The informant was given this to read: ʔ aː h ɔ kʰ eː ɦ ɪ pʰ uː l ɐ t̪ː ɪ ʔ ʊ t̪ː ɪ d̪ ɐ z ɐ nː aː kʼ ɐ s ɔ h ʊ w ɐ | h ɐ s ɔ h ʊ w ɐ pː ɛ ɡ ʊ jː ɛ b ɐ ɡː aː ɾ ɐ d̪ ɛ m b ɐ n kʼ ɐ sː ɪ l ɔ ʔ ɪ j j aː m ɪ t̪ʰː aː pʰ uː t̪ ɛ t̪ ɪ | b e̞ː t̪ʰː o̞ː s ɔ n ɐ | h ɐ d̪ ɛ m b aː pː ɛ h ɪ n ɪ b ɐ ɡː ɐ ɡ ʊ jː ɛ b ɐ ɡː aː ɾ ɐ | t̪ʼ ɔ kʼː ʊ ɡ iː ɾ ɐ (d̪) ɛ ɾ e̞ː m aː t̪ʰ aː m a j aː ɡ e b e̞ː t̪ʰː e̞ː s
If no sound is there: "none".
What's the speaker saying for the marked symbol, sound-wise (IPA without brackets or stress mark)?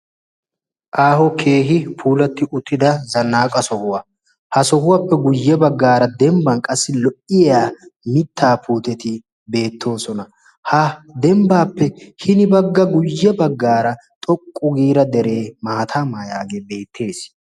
d̪